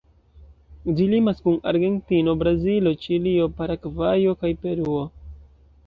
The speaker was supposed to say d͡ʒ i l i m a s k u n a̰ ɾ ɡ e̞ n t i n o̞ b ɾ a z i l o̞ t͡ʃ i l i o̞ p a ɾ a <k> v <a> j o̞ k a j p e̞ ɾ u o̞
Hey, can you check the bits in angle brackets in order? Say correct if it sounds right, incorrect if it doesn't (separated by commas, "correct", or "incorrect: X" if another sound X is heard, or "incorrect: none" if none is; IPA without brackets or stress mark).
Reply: correct, correct